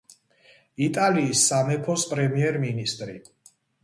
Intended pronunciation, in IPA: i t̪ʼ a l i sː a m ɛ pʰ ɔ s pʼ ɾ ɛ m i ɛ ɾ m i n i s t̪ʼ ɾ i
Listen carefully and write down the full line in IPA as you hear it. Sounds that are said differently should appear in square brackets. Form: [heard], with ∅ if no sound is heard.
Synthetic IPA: i t̪ʼ a l [iː] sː a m ɛ pʰ ɔ s pʼ ɾ ɛ m i ɛ ɾ m i n i s t̪ʼ ɾ i